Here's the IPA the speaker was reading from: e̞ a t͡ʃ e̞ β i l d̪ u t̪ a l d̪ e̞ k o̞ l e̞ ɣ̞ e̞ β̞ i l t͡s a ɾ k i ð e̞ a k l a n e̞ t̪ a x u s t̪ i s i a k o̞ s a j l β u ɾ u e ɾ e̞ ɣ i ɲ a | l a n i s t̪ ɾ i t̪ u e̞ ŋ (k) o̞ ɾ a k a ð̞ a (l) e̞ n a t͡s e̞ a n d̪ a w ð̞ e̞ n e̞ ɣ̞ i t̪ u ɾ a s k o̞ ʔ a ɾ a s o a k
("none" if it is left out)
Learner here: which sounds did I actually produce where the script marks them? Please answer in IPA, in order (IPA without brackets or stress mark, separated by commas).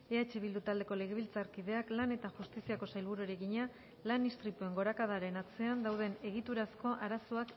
ɡ, ɾ